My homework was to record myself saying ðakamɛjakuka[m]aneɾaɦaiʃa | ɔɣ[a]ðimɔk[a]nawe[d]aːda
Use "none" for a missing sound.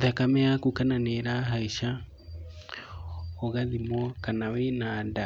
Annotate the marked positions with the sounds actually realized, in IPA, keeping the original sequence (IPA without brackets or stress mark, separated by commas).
n, a, a, n